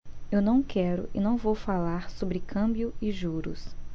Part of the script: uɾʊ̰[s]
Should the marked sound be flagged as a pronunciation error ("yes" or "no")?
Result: no